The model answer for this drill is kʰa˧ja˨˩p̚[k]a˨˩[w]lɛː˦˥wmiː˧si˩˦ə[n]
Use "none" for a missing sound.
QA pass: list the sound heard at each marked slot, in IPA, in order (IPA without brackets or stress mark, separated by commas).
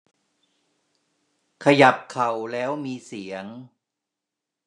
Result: kʰ, w, ŋ